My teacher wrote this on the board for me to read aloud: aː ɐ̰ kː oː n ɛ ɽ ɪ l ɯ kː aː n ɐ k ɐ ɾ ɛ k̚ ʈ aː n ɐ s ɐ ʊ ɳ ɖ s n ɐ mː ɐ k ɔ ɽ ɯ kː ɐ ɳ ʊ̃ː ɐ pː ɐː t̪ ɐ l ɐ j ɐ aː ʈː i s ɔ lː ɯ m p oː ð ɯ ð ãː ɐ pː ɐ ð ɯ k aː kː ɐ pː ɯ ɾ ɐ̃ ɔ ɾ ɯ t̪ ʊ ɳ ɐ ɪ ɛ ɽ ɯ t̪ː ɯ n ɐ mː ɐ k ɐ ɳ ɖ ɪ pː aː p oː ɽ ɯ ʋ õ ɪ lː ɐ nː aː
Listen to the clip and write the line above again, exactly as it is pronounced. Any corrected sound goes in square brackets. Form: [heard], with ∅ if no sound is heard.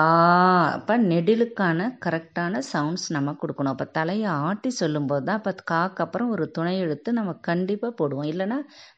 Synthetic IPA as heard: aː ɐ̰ [pː] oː n ɛ ɽ ɪ l ɯ kː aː n ɐ k ɐ ɾ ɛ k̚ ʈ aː n ɐ s ɐ ʊ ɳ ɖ s n ɐ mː ɐ k ɔ ɽ ɯ kː ɐ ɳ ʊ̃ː ɐ pː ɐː t̪ ɐ l ɐ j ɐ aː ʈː i s ɔ lː ɯ m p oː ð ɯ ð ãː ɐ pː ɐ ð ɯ k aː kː ɐ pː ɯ ɾ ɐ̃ ɔ ɾ ɯ t̪ ʊ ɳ ɐ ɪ ɛ ɽ ɯ t̪ː ɯ n ɐ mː ɐ k ɐ ɳ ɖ ɪ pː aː p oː ɽ ɯ ʋ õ ɪ lː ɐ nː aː